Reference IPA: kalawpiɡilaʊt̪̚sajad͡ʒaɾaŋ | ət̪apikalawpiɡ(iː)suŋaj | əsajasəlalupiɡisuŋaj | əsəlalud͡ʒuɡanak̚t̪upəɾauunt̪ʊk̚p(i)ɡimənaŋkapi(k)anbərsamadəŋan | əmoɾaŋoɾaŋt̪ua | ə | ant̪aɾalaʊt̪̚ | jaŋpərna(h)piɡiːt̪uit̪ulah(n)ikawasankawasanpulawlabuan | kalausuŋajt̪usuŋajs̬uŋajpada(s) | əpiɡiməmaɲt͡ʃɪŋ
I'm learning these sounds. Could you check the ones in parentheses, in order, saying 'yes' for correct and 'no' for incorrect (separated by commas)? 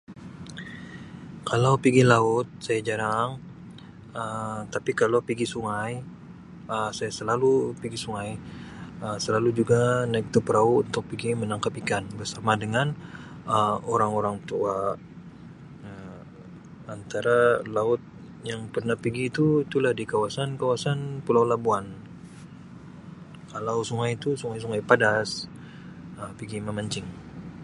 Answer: no, yes, yes, yes, no, yes